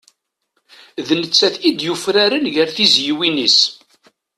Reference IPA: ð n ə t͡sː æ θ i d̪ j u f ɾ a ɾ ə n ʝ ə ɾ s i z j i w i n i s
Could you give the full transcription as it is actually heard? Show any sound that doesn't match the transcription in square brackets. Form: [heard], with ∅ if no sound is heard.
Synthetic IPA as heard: ð n ə t͡sː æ θ i d̪ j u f ɾ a ɾ ə n ʝ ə ɾ [θ] i z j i w i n i s